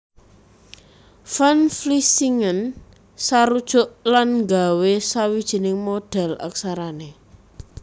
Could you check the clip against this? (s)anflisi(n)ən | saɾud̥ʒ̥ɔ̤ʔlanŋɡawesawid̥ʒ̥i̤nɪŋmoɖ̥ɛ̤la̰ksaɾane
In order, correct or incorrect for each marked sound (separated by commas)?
incorrect, incorrect